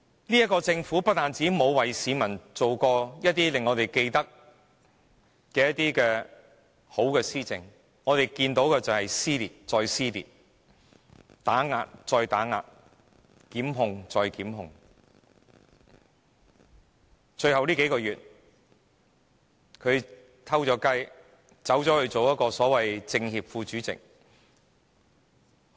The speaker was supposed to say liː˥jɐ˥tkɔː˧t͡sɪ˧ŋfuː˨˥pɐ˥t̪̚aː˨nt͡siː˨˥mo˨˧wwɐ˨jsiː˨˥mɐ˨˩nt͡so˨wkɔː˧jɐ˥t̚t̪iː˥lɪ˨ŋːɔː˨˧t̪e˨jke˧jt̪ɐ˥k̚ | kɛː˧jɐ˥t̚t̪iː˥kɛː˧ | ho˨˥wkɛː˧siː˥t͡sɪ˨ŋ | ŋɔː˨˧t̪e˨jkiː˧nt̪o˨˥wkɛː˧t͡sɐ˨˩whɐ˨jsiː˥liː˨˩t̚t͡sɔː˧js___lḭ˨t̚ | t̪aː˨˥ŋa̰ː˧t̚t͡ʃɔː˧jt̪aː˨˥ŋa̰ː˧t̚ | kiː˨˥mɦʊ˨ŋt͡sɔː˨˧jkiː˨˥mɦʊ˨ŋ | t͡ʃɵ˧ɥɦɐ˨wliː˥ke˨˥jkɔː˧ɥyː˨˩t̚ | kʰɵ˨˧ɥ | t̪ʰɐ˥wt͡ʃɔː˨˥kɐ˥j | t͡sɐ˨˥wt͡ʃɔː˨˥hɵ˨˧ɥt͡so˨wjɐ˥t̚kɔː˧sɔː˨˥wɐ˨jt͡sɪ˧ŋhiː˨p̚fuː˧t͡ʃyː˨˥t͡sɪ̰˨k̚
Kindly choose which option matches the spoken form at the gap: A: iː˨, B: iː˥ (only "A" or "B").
B